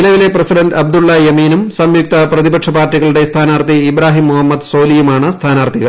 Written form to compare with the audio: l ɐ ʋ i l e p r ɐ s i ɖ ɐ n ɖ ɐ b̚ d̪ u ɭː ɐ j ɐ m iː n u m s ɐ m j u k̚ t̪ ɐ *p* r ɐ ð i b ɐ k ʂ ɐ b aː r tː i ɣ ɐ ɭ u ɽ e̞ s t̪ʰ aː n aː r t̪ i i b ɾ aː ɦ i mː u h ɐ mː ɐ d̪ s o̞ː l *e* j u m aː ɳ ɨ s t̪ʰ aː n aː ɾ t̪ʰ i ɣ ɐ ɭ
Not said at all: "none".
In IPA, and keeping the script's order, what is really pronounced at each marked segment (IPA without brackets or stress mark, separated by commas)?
p, i